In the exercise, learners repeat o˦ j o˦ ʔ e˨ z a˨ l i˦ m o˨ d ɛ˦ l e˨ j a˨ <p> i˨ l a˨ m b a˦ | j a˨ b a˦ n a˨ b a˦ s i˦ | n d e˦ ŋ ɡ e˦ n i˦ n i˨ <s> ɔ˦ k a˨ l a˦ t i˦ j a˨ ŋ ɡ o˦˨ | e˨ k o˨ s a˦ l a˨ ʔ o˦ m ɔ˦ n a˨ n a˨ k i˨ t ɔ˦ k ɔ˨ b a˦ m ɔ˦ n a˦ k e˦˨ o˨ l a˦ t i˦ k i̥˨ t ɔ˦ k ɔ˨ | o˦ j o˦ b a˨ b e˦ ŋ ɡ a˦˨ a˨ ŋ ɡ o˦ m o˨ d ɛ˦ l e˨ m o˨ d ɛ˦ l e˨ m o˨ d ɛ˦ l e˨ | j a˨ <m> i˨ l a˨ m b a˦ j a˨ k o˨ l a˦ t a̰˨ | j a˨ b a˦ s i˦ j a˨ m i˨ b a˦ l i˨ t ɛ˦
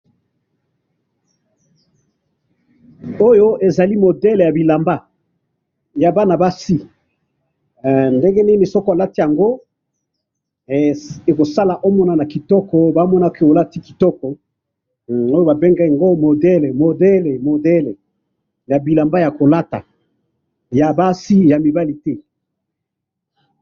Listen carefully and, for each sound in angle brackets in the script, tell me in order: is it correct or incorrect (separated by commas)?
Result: incorrect, correct, incorrect